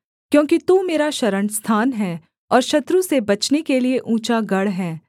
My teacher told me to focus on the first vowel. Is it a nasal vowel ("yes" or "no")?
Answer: yes